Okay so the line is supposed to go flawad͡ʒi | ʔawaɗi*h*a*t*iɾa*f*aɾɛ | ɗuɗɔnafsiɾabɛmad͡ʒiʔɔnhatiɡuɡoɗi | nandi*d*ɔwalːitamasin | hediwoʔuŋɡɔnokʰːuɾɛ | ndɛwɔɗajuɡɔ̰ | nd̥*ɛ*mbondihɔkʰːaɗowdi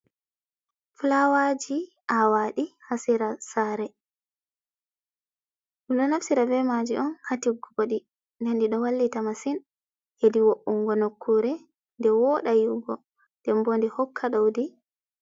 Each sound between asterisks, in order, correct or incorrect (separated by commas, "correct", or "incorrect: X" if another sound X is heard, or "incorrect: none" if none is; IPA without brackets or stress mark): correct, incorrect: s, incorrect: s, incorrect: ɗ, correct